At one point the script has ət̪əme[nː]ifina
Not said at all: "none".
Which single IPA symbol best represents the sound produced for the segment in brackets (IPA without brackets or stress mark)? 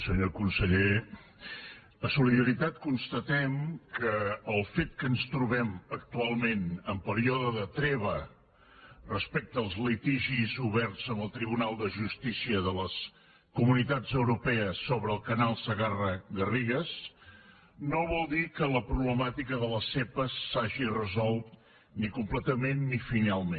nː